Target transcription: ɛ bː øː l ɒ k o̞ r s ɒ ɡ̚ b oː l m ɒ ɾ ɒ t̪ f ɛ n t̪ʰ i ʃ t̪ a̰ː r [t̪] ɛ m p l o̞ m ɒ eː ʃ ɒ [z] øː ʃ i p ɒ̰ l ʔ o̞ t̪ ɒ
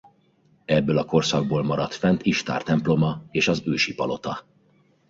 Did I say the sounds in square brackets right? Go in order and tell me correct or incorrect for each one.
correct, correct

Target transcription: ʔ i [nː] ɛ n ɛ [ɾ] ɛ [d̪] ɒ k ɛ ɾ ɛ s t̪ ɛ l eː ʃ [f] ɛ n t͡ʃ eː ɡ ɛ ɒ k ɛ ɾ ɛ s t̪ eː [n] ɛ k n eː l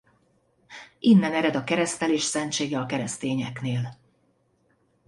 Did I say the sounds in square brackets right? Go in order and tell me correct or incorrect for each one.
correct, correct, correct, incorrect, incorrect

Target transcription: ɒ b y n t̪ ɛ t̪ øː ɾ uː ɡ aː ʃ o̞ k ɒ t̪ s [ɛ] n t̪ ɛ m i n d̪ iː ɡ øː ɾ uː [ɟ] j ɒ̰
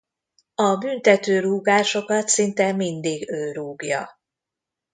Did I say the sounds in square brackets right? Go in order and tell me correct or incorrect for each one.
incorrect, incorrect

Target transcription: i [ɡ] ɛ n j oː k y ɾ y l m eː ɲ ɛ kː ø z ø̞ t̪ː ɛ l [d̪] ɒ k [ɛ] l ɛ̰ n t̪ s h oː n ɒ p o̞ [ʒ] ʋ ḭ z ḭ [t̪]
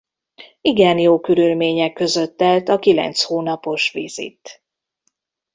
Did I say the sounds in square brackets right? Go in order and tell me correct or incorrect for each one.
correct, incorrect, incorrect, incorrect, correct

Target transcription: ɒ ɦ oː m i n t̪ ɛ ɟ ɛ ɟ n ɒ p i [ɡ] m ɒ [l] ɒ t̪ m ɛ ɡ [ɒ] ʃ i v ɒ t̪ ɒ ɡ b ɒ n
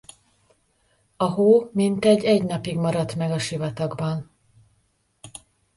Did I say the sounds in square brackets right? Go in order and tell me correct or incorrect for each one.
correct, incorrect, correct

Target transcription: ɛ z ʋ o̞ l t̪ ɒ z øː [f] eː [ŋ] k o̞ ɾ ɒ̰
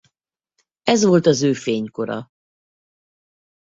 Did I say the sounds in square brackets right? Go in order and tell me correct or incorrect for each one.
correct, incorrect

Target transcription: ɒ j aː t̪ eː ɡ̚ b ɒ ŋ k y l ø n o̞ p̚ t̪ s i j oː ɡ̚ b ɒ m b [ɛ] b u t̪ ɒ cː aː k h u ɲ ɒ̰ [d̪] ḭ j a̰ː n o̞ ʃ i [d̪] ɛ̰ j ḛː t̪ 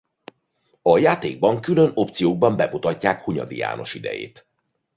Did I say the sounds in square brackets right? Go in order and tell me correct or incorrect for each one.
correct, correct, correct

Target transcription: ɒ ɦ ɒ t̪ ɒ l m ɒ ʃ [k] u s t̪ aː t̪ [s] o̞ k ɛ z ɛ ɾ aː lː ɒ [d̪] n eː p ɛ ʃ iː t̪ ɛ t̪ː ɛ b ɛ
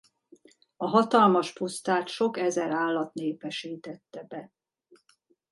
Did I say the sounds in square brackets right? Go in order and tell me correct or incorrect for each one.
incorrect, incorrect, incorrect

